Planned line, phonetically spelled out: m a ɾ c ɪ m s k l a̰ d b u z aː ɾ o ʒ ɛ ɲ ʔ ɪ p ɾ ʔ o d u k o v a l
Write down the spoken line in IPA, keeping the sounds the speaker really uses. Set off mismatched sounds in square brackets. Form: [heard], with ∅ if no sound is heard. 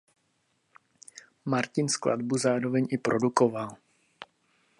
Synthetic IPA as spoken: m a ɾ c ɪ [n] s k l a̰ d b u z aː ɾ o [v] ɛ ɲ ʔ ɪ p ɾ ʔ o d u k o v a l